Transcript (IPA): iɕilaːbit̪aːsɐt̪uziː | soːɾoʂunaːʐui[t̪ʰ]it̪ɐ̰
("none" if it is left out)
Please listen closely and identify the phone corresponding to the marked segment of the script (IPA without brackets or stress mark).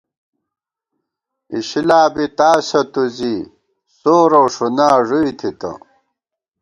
t̪ʰ